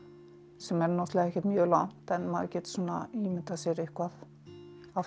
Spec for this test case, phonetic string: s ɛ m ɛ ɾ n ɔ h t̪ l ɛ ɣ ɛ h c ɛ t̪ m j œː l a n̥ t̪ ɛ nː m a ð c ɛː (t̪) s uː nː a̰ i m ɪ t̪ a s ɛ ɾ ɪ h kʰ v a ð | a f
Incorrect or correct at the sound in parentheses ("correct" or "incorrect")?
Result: correct